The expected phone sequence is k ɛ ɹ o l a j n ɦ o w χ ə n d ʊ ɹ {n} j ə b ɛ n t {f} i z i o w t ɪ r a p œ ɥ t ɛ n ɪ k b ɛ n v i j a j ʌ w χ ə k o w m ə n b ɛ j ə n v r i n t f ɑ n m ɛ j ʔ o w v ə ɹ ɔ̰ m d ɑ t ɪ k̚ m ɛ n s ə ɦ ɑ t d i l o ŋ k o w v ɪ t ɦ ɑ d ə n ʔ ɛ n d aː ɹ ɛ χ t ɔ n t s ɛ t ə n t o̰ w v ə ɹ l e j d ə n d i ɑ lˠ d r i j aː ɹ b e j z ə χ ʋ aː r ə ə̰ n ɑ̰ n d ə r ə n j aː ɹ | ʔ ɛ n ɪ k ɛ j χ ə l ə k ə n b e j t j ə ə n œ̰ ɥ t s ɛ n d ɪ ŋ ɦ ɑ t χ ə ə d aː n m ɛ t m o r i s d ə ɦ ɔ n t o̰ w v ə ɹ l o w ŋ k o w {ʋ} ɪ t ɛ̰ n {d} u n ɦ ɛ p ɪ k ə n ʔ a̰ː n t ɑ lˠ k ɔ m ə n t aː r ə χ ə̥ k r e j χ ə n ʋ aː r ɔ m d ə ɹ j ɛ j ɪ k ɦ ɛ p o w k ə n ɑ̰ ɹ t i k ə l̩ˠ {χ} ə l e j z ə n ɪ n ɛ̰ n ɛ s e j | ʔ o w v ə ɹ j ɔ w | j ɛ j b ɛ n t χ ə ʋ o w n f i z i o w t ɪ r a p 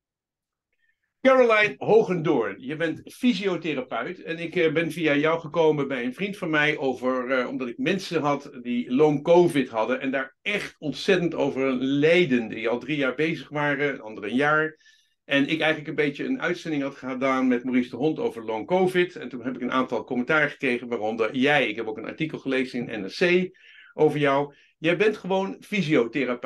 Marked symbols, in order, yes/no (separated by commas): yes, yes, no, no, yes